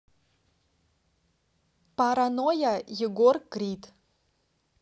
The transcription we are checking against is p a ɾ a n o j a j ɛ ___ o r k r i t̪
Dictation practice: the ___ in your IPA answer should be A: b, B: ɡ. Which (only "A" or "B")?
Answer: B